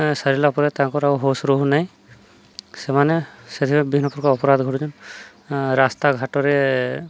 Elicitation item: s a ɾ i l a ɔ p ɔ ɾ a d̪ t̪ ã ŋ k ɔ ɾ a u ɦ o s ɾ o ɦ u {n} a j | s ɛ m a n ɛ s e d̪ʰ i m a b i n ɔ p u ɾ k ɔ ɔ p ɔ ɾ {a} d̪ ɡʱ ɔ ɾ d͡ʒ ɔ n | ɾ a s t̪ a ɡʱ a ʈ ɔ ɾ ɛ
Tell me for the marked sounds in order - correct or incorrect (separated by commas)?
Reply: correct, correct